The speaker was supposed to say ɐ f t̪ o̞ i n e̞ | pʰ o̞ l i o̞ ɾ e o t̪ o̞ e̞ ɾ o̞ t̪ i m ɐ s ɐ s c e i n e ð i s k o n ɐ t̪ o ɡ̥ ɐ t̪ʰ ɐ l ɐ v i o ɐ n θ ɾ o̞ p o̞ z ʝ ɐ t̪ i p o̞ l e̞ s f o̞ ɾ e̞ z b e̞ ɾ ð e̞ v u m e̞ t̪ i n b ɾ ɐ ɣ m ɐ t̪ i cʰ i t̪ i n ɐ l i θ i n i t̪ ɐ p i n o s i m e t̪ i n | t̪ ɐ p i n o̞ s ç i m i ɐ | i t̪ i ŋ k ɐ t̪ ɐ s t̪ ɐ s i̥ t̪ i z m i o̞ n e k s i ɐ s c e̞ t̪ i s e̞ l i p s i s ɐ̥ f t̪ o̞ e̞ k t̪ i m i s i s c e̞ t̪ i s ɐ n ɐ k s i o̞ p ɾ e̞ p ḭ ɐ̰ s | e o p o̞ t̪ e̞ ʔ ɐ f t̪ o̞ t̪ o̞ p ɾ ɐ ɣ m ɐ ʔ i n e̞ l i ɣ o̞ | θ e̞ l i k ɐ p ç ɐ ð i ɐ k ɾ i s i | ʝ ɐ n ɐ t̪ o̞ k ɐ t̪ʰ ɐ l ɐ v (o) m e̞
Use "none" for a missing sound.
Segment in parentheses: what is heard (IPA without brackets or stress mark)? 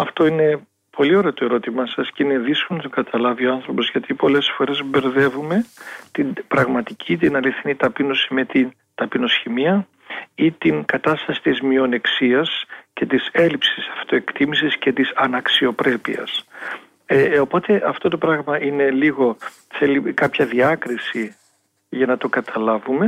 u